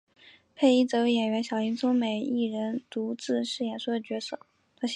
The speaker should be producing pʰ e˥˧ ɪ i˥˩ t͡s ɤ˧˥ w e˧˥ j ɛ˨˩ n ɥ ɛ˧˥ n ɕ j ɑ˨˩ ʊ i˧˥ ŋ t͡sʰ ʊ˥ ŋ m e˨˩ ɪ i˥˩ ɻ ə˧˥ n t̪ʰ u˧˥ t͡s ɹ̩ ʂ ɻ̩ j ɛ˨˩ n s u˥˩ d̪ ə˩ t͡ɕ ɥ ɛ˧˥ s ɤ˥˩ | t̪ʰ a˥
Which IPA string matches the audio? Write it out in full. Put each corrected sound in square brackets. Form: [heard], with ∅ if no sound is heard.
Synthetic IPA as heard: pʰ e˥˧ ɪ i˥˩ t͡s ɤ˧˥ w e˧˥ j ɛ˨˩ n ɥ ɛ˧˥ n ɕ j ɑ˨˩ ʊ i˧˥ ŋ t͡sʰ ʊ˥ ŋ m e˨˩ ɪ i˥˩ ɻ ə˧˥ n [t̪] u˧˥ t͡s ɹ̩ ʂ ɻ̩ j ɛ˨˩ n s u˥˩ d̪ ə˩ t͡ɕ ɥ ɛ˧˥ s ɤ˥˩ | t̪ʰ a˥